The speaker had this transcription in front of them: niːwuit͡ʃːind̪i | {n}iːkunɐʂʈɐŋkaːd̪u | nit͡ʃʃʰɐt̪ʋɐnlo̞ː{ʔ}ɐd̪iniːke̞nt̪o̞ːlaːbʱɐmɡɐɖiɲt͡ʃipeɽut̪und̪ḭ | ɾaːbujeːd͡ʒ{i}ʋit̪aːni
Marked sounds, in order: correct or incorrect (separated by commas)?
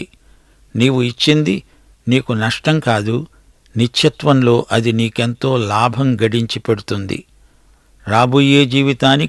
correct, correct, incorrect